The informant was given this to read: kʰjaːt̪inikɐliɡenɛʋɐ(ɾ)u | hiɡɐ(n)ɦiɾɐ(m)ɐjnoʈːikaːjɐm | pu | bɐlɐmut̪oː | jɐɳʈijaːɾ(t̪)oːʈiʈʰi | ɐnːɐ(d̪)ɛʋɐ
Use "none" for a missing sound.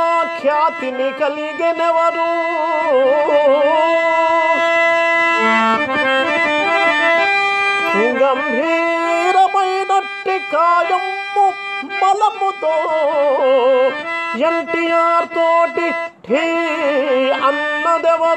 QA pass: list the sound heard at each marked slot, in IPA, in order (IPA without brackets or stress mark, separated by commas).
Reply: ɾ, m, m, t̪, d̪